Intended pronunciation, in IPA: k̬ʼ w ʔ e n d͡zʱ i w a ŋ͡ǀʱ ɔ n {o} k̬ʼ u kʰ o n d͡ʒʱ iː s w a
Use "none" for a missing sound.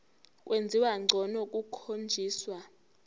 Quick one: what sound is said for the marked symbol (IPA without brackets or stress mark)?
ɔ